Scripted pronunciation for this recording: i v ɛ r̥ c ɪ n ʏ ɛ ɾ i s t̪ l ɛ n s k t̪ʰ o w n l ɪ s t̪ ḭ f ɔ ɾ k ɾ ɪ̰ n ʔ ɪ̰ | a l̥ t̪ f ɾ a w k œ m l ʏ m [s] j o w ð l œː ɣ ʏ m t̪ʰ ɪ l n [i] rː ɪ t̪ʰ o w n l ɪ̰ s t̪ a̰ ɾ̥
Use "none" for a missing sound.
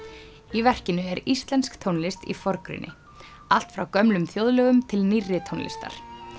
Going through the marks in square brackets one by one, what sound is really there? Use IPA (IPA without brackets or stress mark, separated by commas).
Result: θ, i